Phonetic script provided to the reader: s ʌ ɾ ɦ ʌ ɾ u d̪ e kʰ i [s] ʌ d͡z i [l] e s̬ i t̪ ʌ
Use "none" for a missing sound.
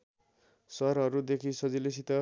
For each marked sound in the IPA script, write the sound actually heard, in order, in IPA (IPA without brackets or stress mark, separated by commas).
s, l